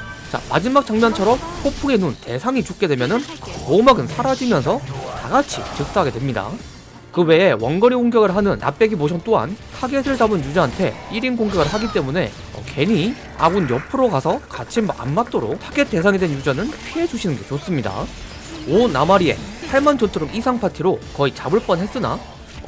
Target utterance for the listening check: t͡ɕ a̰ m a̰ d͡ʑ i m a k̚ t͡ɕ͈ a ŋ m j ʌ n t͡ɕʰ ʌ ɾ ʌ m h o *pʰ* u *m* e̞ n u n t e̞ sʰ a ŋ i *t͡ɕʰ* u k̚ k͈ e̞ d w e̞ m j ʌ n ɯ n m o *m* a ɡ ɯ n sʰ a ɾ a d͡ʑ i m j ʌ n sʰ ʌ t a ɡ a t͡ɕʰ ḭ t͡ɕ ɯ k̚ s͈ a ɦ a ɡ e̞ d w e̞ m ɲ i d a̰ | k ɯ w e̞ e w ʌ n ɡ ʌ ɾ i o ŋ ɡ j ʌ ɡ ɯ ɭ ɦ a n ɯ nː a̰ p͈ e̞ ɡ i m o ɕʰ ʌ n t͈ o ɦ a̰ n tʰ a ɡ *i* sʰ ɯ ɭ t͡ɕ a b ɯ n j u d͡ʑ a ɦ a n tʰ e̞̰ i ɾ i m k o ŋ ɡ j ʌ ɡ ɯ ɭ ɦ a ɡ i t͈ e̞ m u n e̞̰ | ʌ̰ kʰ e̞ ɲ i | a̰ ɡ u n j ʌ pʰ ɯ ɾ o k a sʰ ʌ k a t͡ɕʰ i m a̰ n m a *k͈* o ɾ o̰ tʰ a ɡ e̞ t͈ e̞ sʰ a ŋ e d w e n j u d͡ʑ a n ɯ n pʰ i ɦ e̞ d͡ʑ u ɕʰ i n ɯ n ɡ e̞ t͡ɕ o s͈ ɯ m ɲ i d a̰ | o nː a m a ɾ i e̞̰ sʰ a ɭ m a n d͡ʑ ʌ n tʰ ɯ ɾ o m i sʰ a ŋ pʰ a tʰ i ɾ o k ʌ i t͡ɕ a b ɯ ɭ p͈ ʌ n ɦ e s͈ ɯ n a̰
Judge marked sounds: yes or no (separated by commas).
yes, no, no, yes, no, no